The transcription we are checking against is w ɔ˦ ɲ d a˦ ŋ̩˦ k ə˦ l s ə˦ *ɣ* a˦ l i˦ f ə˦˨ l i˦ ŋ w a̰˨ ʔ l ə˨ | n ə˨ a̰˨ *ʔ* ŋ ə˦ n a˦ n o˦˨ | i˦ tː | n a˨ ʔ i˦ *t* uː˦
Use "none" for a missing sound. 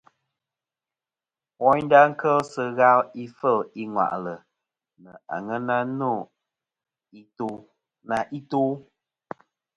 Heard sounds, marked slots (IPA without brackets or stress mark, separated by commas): ɣ, none, t